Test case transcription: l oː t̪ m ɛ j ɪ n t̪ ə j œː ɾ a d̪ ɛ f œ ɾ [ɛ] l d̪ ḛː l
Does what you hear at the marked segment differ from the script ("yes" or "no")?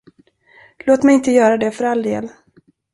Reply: yes